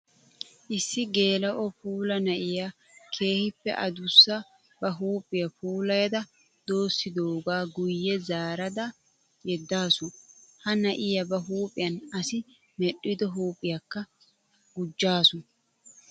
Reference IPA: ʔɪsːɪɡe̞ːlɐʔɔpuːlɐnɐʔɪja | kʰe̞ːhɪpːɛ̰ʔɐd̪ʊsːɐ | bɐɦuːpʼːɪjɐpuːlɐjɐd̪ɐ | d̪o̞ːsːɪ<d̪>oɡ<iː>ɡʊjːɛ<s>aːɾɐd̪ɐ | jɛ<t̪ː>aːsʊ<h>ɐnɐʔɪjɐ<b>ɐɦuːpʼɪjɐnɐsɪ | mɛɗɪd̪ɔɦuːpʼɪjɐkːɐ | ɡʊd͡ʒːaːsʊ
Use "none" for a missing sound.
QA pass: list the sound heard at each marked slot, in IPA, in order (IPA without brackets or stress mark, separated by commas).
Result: d̪, aː, z, d̪ː, h, b